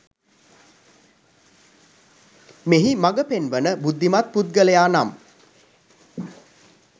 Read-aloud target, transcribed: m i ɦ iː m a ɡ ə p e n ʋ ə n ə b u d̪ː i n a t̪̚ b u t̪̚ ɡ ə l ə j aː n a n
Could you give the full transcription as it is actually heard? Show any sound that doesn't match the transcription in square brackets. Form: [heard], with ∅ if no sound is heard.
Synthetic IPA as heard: m [e] ɦ [i] m a ɡ ə p e n ʋ ə n ə b u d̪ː i [m] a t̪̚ [p] u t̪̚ ɡ ə l ə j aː n a [m]